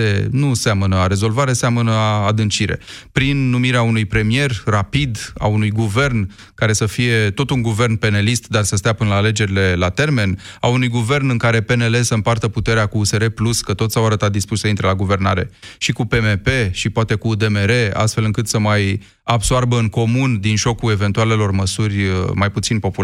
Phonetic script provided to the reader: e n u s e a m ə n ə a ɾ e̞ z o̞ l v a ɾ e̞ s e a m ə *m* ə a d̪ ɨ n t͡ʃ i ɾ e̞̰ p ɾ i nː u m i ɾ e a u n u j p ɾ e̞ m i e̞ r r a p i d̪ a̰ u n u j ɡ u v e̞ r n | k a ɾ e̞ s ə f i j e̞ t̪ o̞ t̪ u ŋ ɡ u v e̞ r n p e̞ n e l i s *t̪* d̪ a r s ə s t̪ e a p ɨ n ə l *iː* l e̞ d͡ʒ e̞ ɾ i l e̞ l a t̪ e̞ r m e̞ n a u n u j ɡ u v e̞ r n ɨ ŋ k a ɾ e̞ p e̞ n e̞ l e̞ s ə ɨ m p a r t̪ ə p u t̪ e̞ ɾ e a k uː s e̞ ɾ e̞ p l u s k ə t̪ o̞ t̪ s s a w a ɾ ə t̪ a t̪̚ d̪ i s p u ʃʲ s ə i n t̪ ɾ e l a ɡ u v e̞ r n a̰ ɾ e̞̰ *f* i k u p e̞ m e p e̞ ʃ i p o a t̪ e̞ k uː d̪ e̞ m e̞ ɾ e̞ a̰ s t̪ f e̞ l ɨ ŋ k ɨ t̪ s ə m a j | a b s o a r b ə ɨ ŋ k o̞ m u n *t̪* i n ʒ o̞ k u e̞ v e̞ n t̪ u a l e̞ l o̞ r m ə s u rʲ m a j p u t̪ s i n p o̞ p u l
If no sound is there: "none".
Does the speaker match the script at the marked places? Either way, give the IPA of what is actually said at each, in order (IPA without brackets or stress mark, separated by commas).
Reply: n, t̪, aː, ʃ, d̪